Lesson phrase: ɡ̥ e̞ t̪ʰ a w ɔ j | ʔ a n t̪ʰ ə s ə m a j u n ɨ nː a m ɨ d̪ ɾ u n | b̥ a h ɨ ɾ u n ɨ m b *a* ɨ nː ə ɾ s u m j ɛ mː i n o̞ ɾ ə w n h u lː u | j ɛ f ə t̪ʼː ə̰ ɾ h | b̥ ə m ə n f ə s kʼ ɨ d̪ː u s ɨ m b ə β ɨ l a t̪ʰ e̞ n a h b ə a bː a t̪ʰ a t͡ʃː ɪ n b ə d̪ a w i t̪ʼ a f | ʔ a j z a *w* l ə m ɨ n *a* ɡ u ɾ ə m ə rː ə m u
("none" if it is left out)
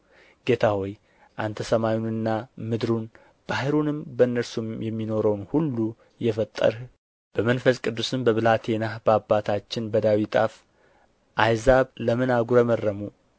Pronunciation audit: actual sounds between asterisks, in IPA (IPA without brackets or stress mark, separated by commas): ə, β, a